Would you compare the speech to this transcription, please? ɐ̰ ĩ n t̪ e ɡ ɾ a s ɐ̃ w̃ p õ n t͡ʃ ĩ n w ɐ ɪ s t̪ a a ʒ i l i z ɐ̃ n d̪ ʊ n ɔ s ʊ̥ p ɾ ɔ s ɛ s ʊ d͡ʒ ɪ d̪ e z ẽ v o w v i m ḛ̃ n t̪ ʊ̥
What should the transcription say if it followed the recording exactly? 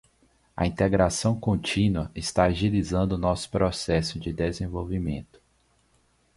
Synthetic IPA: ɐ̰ ĩ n t̪ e ɡ ɾ a s ɐ̃ w̃ k õ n t͡ʃ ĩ n w ɐ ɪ s t̪ a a ʒ i l i z ɐ̃ n d̪ ʊ n ɔ s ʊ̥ p ɾ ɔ s ɛ s ʊ d͡ʒ ɪ d̪ e z ẽ v o w v i m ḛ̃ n t̪ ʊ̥